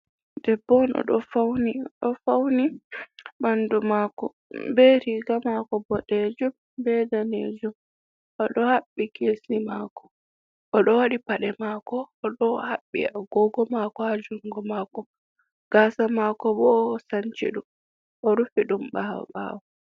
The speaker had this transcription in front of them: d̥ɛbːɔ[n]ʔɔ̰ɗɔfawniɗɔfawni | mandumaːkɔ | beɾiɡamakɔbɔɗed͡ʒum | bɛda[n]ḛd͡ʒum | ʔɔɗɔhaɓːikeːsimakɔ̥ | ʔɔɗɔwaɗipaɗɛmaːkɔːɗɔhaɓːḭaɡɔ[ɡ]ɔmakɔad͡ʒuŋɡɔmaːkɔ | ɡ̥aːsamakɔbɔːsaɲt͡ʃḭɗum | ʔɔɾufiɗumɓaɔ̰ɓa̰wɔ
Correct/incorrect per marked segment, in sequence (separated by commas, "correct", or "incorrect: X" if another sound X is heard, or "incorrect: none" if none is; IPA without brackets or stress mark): correct, correct, correct